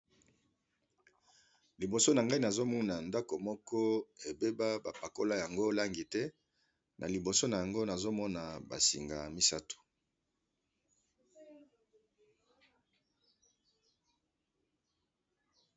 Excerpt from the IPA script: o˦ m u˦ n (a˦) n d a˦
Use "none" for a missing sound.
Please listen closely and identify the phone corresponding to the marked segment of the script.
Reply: a˨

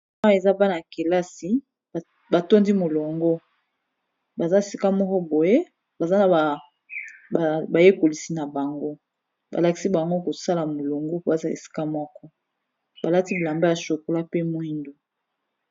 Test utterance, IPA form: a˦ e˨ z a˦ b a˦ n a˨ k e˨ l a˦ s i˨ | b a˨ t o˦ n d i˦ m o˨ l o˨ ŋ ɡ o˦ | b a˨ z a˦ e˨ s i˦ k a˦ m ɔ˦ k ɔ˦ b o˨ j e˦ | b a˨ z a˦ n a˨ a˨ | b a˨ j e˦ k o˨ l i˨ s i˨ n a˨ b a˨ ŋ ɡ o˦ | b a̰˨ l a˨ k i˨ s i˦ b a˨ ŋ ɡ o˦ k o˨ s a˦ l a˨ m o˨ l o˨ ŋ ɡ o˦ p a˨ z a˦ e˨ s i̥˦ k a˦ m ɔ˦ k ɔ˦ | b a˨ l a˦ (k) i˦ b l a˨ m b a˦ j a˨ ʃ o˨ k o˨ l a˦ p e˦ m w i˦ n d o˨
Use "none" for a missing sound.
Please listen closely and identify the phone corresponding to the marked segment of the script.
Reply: t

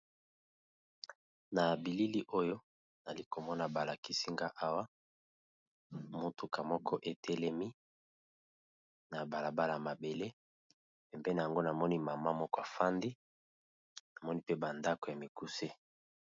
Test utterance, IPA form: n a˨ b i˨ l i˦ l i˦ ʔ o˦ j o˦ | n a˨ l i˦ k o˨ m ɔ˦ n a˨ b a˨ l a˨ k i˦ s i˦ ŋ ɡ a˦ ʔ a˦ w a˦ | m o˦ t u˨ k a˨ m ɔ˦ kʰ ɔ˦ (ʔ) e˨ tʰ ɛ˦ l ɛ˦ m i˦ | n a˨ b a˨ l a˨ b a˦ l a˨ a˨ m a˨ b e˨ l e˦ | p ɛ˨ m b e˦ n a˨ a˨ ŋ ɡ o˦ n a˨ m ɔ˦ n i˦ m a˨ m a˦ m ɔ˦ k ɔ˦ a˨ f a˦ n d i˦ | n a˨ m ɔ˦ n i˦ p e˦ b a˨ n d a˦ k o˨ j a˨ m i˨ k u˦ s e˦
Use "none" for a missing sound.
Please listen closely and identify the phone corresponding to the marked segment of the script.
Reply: ʔ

